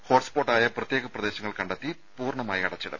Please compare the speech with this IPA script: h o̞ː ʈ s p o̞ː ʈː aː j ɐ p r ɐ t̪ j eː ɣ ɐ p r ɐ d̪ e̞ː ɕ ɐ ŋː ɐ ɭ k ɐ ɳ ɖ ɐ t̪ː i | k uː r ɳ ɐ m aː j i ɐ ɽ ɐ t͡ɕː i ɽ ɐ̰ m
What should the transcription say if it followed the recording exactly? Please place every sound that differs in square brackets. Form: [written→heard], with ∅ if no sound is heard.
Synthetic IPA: h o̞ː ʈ s p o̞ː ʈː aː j ɐ p r ɐ t̪ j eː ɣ ɐ p r ɐ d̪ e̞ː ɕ ɐ ŋː ɐ ɭ k ɐ ɳ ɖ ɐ t̪ː i | [k→p] uː r ɳ ɐ m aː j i ɐ ɽ ɐ t͡ɕː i ɽ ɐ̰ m